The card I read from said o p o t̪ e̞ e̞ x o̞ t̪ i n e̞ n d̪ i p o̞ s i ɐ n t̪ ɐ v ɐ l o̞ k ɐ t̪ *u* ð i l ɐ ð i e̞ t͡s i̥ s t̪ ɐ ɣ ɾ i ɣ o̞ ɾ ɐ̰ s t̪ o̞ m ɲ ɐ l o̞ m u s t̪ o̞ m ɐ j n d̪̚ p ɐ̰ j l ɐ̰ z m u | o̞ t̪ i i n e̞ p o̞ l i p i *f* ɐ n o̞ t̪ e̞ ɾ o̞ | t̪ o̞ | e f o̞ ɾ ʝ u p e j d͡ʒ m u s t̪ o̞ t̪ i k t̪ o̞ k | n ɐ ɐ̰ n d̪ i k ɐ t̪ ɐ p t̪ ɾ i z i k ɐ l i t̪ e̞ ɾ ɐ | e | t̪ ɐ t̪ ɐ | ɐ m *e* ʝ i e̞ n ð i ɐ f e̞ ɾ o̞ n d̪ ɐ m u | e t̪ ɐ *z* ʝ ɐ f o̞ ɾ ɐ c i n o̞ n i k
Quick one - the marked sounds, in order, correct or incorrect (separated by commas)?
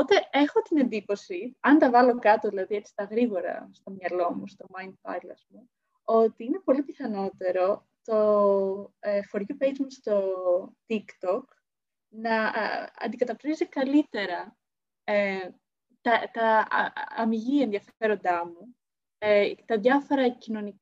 incorrect, incorrect, incorrect, incorrect